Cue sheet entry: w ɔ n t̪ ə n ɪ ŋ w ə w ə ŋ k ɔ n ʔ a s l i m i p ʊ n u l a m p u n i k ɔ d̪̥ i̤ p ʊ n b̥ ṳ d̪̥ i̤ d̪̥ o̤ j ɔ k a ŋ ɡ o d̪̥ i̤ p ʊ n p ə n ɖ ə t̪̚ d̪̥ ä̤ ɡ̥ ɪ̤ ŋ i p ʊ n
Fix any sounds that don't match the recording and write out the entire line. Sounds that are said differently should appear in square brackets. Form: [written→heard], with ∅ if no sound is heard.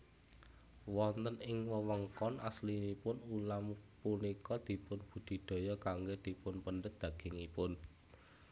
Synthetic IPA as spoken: w ɔ n t̪ ə n ɪ ŋ w ə w ə ŋ k ɔ n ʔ a s l i [m→n] i p ʊ n u l a m p u n i k ɔ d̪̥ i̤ p ʊ n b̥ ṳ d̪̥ i̤ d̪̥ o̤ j ɔ k a ŋ ɡ o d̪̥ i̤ p ʊ n p ə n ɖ ə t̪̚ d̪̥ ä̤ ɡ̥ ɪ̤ ŋ i p ʊ n